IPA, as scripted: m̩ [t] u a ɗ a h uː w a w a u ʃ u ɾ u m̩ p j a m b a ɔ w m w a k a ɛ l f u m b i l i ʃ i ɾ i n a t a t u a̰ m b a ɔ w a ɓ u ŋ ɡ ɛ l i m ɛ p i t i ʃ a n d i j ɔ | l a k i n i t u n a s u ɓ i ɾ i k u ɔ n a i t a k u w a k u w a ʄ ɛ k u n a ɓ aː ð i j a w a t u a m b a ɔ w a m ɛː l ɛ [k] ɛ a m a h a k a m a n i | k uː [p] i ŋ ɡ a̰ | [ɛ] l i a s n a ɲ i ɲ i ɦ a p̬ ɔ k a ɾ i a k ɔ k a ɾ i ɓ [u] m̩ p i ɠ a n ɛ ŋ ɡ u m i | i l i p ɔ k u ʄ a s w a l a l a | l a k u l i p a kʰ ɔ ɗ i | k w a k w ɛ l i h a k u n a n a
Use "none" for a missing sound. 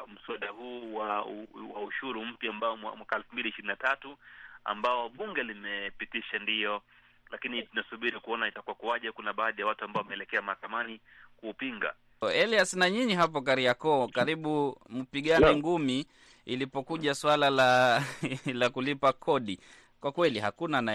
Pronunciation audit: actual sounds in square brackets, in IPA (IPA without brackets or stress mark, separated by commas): s, k, p, ɛ, u